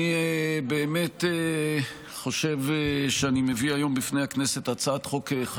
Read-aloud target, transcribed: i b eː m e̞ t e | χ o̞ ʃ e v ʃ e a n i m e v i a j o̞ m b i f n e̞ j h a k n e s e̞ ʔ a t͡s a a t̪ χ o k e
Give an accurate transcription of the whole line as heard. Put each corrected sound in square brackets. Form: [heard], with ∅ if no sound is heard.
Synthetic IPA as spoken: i b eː m e̞ t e | χ o̞ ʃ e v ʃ e a n i m e v i a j o̞ m b i f n e̞ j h a k n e s e̞ [t] a t͡s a a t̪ χ o k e